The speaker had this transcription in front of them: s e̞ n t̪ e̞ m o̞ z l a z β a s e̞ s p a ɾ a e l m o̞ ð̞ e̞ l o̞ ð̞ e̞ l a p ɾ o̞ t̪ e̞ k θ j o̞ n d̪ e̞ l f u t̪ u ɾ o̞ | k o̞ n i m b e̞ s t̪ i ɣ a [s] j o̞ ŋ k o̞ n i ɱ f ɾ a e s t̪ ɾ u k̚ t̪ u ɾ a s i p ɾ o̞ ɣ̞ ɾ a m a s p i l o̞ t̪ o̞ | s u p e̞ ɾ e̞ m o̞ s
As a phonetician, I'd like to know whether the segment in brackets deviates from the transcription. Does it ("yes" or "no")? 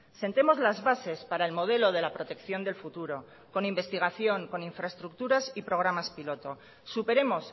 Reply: yes